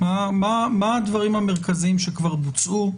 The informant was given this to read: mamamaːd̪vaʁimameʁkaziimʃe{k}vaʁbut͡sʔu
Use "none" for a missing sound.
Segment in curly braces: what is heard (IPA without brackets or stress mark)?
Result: k